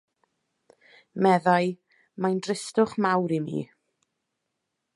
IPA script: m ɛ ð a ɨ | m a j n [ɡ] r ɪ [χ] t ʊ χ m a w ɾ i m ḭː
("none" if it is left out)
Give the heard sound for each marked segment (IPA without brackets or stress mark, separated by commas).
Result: d, s